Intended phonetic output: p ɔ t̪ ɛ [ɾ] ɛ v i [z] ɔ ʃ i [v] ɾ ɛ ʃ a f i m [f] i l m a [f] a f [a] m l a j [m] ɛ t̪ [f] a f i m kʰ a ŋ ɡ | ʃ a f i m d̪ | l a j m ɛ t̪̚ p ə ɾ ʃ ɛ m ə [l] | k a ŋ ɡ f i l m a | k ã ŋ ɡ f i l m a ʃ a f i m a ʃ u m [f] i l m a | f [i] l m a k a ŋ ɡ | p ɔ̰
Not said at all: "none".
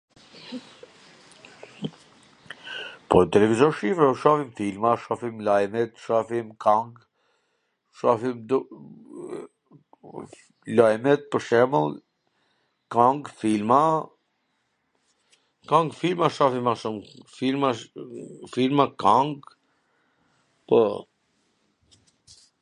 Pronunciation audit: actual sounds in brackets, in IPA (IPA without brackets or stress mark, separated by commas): l, z, f, f, ʃ, i, m, ʃ, l, f, i